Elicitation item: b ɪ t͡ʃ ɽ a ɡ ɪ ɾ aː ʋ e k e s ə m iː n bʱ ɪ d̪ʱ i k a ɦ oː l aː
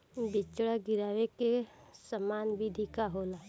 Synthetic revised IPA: b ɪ t͡ʃ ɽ a ɡ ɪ ɾ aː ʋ e k e s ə m aː n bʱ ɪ d̪ʱ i k a ɦ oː l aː